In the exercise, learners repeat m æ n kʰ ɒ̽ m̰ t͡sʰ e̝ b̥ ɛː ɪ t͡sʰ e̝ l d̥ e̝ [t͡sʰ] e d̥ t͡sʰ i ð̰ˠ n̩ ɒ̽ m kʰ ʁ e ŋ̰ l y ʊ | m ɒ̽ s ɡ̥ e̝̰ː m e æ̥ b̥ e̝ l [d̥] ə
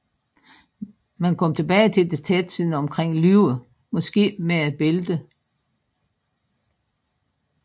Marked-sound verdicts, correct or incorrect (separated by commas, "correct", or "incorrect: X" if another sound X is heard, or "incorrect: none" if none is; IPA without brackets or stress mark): correct, correct